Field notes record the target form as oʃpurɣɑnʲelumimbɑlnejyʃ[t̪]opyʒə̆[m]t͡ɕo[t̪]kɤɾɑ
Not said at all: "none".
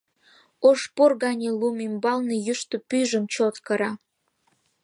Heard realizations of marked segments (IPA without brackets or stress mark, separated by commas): t̪, m, t̪